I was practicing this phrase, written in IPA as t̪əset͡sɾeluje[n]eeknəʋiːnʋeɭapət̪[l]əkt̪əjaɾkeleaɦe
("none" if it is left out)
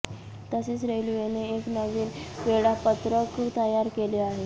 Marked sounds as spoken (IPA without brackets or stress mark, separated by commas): n, ɾ